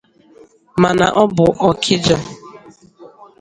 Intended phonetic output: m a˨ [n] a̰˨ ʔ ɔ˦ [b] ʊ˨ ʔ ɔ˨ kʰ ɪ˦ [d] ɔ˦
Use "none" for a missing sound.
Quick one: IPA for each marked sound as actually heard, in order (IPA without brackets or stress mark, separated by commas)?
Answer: n, b, d͡ʒ